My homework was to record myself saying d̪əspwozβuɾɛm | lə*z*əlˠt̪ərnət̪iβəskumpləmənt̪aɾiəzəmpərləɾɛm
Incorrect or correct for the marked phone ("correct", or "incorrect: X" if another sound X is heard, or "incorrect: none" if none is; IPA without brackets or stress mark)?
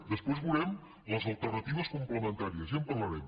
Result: correct